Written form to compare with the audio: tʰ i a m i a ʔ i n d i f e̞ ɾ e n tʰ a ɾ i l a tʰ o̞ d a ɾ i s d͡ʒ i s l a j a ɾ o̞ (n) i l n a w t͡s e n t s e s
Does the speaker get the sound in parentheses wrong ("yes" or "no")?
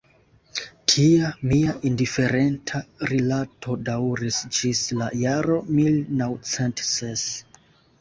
yes